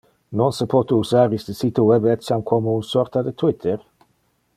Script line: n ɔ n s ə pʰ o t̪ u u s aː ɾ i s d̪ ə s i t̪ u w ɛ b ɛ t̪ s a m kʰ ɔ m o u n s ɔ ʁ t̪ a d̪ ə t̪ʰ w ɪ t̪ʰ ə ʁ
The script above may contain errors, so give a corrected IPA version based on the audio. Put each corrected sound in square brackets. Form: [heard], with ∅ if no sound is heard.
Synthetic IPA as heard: n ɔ n s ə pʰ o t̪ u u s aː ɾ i s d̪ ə s i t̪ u w ɛ b ɛ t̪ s a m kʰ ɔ m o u n s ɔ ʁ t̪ a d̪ ə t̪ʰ w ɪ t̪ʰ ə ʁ